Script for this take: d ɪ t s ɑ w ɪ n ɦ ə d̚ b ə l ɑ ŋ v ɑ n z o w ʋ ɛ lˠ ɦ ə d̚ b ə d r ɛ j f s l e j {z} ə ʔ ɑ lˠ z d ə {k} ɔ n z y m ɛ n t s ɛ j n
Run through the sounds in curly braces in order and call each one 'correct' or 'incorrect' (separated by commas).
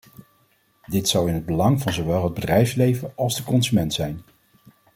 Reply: incorrect, correct